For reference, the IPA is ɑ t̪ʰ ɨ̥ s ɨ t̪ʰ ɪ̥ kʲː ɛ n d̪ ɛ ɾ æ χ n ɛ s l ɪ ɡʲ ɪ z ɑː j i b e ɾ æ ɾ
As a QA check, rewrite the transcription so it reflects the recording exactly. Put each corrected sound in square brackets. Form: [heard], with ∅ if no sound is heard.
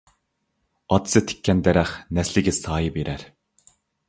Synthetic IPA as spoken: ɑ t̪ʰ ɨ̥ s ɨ t̪ʰ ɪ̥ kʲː ɛ n d̪ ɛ ɾ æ χ n ɛ s l ɪ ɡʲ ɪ [s] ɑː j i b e ɾ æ ɾ